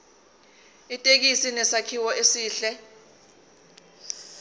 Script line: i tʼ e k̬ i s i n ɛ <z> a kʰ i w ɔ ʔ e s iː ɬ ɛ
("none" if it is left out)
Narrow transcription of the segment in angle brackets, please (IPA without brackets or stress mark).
s